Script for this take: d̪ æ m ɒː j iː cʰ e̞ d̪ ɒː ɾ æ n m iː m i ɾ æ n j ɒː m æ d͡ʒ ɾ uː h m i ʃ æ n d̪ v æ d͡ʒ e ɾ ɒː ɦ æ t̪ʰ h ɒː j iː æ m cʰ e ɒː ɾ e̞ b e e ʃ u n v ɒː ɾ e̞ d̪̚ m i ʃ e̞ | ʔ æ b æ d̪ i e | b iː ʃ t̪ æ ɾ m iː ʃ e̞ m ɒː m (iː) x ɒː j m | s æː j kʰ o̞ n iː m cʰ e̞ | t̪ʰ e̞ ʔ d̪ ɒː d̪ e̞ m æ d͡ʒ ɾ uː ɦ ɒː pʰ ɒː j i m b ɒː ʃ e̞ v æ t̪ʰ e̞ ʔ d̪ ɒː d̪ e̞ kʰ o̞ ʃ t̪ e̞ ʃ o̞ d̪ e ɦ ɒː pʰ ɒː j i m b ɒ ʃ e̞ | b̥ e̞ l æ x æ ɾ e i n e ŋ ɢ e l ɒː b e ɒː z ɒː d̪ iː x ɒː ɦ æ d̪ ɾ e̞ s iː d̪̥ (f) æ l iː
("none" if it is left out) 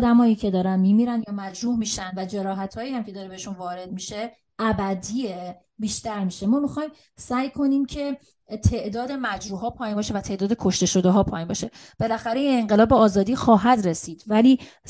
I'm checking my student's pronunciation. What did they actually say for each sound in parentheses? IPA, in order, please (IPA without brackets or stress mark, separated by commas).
i, v